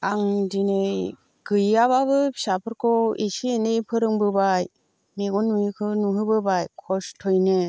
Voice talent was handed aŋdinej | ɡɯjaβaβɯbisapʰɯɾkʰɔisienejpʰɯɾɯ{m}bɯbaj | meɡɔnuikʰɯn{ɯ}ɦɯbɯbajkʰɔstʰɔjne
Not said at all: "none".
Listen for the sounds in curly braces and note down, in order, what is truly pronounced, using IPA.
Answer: ŋ, u

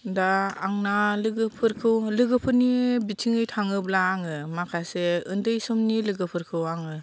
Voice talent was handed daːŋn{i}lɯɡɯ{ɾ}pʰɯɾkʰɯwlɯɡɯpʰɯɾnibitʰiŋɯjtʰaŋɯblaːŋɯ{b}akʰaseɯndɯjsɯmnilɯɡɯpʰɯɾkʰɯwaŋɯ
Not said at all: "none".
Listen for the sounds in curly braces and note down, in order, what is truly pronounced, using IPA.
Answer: a, none, m

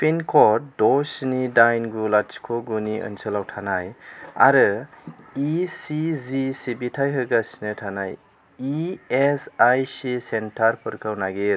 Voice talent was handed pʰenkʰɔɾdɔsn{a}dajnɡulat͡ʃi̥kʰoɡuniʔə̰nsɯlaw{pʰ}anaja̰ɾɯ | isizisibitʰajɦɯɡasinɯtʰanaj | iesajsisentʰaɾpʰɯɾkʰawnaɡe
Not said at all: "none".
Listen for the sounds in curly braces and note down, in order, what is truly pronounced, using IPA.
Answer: i, tʰ

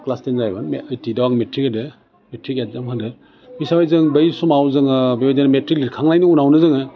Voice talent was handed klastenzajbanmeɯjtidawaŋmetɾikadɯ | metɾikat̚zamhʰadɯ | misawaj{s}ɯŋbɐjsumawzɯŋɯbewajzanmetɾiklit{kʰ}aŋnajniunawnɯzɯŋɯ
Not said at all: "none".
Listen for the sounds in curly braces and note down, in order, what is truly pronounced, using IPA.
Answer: z, kʰ

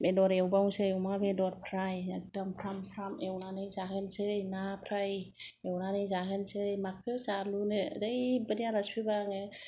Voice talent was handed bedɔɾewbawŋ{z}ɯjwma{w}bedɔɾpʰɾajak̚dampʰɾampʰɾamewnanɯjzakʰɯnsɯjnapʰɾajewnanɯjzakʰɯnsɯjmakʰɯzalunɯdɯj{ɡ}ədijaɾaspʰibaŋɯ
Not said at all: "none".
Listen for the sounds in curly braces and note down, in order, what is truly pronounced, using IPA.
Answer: s, none, b

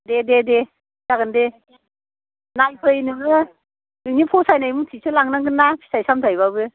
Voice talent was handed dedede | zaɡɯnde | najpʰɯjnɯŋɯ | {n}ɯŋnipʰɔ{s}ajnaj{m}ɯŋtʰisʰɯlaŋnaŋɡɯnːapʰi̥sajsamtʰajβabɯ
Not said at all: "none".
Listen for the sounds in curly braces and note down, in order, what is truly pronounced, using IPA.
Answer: n, s, m

